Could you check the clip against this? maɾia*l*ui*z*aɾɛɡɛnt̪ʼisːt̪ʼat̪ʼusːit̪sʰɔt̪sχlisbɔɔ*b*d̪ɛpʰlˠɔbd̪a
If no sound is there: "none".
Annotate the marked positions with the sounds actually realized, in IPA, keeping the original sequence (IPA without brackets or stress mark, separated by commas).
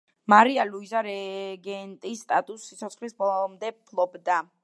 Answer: l, z, m